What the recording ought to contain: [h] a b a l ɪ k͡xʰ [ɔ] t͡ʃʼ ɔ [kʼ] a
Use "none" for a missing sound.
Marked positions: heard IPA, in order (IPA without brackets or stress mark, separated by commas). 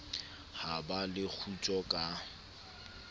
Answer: h, u, kʼ